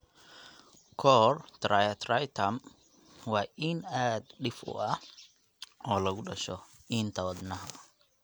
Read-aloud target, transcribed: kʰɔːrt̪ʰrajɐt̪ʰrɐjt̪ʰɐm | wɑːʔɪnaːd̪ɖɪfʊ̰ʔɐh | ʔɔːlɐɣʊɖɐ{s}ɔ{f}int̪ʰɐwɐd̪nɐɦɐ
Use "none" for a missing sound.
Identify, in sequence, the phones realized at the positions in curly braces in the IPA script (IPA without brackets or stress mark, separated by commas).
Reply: ʃ, none